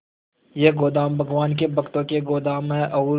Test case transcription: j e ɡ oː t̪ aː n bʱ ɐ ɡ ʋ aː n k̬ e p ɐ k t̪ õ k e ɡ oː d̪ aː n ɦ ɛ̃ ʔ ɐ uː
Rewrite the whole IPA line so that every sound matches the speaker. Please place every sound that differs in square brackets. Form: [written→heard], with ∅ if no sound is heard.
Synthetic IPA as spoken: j e ɡ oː [t̪→d̪] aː [n→m] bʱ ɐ ɡ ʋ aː n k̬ e [p→b] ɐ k t̪ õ k e ɡ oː d̪ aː [n→m] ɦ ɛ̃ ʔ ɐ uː